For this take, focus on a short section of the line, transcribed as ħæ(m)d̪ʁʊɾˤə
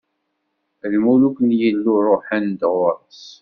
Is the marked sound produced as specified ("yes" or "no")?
no